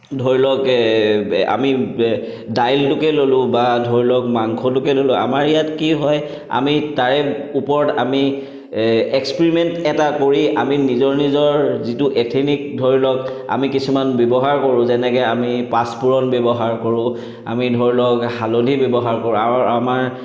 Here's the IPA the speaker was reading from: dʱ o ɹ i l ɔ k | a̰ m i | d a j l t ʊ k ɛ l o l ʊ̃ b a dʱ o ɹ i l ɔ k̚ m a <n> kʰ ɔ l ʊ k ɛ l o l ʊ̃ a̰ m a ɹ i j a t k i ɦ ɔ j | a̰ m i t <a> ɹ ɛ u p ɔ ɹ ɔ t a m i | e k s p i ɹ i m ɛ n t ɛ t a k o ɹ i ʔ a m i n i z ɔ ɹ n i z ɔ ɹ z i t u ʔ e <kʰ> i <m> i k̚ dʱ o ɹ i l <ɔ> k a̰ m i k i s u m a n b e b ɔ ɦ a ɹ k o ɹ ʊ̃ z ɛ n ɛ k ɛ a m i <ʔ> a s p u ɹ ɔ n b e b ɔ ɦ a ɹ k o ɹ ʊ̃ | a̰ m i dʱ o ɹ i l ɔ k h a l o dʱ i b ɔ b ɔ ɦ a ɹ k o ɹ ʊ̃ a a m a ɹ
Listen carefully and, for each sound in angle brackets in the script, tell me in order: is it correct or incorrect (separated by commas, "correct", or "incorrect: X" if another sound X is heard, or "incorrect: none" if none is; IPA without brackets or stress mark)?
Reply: incorrect: ŋ, correct, incorrect: tʰ, incorrect: n, correct, incorrect: p